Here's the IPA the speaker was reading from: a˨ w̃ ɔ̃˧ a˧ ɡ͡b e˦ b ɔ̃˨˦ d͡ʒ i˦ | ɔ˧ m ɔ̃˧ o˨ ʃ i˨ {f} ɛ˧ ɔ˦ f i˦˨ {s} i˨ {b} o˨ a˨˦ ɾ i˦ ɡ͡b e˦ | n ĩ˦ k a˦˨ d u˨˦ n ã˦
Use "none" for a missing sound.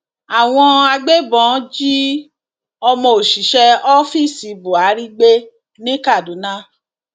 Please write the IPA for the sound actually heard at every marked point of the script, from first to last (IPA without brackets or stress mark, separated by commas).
ʃ, s, b